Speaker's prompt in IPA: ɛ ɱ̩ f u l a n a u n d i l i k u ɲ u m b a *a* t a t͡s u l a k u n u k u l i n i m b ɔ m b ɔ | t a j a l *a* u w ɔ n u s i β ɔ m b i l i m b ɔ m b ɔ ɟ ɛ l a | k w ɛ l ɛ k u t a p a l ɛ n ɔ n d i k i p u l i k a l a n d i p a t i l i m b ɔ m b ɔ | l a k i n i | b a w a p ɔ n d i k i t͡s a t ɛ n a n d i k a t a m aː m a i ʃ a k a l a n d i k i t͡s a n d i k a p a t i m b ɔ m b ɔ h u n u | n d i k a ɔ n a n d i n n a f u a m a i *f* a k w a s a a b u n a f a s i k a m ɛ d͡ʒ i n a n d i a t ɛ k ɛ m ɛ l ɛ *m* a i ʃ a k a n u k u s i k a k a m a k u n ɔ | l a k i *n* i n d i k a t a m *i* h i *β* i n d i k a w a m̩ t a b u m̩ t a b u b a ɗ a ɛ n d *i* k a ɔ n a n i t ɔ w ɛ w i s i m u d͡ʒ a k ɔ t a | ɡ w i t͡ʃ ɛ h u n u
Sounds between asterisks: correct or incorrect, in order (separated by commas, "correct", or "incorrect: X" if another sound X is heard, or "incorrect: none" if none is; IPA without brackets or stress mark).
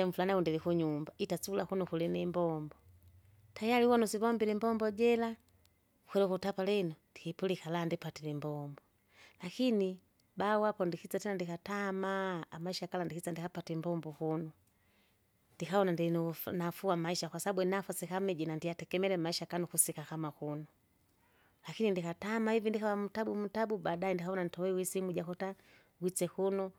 incorrect: i, incorrect: i, incorrect: ʃ, correct, correct, incorrect: a, incorrect: v, correct